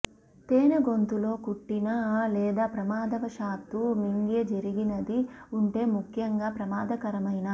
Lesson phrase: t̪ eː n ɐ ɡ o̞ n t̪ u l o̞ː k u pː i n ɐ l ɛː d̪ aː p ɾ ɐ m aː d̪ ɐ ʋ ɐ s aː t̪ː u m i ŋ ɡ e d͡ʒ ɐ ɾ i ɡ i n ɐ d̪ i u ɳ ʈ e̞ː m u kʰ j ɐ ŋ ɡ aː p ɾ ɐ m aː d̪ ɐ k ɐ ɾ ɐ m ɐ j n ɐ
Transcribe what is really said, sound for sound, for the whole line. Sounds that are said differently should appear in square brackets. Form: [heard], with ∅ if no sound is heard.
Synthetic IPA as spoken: t̪ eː n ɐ ɡ o̞ n t̪ u l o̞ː k u [ʈː] i n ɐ l ɛː d̪ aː p ɾ ɐ m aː d̪ ɐ ʋ ɐ [ʃ] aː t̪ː u m i ŋ ɡ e d͡ʒ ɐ ɾ i ɡ i n ɐ d̪ i u ɳ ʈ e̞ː m u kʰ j ɐ ŋ ɡ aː p ɾ ɐ m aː d̪ ɐ k ɐ ɾ ɐ m ɐ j n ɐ